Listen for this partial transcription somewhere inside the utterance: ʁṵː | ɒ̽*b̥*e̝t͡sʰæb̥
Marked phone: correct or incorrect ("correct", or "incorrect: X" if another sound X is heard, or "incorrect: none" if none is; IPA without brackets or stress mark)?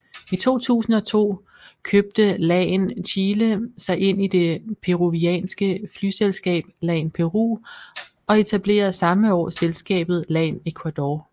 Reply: incorrect: none